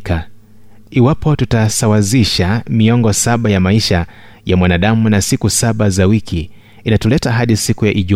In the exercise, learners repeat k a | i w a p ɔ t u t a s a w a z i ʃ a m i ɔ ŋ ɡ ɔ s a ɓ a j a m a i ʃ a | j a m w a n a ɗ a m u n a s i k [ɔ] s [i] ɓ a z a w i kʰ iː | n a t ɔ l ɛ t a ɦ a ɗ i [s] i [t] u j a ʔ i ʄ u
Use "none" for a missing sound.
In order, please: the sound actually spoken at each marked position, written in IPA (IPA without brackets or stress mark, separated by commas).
u, a, s, k